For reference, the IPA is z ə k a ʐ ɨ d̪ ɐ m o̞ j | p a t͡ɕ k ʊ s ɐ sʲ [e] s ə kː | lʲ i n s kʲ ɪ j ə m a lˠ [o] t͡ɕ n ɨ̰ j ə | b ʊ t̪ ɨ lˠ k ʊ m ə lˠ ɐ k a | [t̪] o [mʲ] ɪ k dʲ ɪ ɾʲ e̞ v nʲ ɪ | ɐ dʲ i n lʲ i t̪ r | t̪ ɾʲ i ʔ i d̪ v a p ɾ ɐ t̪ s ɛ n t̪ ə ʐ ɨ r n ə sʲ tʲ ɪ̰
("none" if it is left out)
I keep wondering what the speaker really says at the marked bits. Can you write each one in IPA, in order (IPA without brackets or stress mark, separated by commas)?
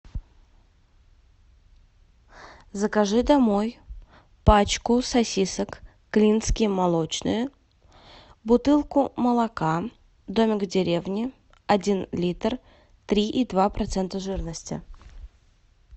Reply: i, o, d̪, mʲ